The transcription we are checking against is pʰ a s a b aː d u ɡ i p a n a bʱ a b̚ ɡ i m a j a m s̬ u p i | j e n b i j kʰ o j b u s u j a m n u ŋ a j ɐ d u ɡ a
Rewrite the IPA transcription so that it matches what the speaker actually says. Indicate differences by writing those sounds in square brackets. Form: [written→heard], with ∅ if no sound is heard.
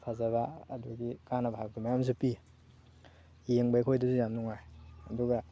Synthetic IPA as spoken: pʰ a [s→z] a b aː d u ɡ i [p→k] a n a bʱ a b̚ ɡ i m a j a m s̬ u p i | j e [n→ŋ] b [i→a] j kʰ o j [b→d] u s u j a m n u ŋ a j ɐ d u ɡ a